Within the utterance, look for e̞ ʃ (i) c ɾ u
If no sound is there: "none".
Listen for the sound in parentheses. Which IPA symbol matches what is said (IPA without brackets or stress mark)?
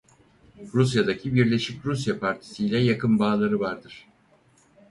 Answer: i